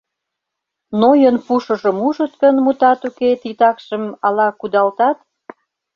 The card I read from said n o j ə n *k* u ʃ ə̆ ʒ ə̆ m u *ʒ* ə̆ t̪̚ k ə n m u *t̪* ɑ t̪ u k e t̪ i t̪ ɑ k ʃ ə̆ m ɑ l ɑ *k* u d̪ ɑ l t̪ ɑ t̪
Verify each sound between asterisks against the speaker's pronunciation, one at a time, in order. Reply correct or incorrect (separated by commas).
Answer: incorrect, correct, correct, correct